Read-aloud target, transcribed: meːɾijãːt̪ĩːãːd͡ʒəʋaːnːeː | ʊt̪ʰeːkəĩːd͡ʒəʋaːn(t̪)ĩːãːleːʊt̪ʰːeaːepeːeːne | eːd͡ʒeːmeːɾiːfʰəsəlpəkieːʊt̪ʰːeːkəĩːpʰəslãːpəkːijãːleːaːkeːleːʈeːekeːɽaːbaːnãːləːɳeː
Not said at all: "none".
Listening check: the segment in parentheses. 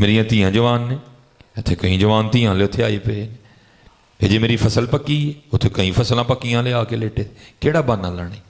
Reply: t̪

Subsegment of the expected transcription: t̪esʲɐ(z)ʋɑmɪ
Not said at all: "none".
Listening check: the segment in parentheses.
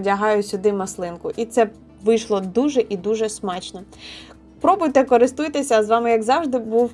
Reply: z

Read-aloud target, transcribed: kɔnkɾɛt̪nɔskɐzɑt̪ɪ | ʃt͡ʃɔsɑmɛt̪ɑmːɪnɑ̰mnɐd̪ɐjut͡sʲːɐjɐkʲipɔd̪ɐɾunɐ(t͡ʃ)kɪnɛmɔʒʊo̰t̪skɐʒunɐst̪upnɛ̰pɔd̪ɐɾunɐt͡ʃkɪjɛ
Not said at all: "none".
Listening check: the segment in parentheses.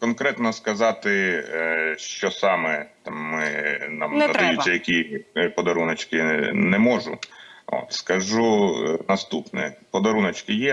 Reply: t͡ʃ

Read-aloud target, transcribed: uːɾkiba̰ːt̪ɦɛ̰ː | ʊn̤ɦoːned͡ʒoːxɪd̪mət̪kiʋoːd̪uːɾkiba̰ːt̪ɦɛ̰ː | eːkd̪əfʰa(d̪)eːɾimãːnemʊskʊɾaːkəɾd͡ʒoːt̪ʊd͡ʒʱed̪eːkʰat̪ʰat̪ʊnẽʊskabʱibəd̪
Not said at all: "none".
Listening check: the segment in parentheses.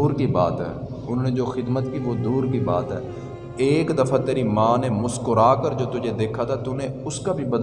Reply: t̪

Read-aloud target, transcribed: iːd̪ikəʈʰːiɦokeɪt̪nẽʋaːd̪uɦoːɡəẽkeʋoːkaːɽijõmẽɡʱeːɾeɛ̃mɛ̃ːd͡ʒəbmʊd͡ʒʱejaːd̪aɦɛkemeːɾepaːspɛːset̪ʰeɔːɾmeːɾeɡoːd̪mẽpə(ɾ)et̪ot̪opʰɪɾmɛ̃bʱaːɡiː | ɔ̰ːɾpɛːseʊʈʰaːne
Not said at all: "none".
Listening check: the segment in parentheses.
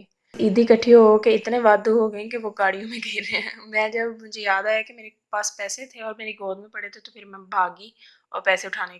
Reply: ɽ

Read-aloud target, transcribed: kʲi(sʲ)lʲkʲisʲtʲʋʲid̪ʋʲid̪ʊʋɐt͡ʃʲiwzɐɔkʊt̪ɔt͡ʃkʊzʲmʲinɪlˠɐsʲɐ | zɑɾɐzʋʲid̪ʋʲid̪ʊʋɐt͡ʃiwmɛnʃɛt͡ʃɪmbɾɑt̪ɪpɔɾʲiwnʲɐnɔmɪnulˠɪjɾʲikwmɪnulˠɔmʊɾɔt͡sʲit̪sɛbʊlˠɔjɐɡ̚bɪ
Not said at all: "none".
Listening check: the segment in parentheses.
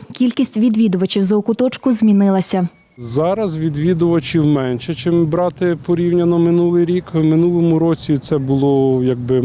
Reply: none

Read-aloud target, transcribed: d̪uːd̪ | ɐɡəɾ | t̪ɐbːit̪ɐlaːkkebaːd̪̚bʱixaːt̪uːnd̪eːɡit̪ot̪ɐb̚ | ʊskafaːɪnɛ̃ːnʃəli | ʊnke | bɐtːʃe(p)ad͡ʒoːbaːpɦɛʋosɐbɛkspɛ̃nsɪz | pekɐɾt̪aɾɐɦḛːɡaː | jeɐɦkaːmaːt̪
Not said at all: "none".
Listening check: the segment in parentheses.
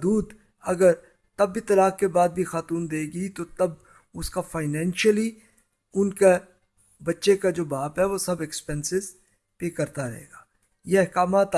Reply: k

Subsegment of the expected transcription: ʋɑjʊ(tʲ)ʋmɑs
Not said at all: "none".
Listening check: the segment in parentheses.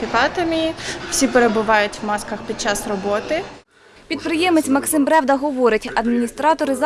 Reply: tʲ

